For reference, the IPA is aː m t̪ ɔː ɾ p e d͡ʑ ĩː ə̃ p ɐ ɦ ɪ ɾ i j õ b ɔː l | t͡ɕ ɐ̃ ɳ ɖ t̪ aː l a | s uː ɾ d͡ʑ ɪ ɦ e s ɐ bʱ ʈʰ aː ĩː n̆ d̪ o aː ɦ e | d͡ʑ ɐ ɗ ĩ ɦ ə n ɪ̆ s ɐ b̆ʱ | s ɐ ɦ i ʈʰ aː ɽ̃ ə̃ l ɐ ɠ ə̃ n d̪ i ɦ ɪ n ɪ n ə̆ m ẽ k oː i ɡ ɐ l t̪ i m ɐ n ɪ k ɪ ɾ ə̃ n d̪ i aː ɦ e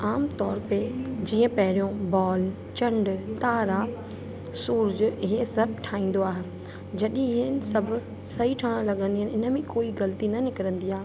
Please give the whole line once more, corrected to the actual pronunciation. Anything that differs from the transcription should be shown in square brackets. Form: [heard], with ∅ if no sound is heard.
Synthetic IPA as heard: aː m t̪ ɔː ɾ p e d͡ʑ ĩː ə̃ p ɐ ɦ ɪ ɾ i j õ b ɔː l | t͡ɕ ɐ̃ ɳ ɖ t̪ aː [ɾ] a | s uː ɾ d͡ʑ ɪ ɦ e s ɐ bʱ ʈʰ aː ĩː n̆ d̪ o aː ɦ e | d͡ʑ ɐ ɗ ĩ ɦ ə n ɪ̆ s ɐ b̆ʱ | s ɐ ɦ i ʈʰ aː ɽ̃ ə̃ l ɐ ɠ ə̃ n d̪ i ɦ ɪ n ɪ n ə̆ m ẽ k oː i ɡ ɐ l t̪ i [n] ɐ n ɪ k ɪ ɾ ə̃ n d̪ i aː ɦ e